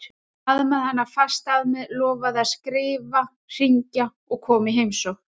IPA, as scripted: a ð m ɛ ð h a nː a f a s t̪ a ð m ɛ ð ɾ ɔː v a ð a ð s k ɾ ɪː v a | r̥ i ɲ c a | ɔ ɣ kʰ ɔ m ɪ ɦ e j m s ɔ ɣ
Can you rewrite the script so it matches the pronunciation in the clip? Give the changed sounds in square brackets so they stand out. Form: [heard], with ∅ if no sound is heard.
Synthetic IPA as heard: a ð m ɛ ð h a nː a f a s t̪ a ð m ɛ ð [l] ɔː v a ð a ð s k ɾ ɪː v a | r̥ i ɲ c a | ɔ ɣ kʰ [ɔː] m ɪ ɦ e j m s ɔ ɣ